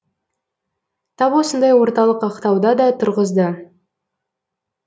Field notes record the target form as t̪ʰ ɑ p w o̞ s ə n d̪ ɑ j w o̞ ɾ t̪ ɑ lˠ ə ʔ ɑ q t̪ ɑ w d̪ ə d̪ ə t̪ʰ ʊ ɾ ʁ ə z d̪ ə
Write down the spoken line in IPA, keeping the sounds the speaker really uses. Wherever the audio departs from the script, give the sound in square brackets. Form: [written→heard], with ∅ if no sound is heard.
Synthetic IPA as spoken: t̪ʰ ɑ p w o̞ s ə n d̪ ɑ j w o̞ ɾ t̪ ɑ lˠ ə [ʔ→q] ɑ q t̪ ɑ w d̪ [ə→ɑ] d̪ [ə→ɑ] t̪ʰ ʊ ɾ ʁ ə z d̪ ə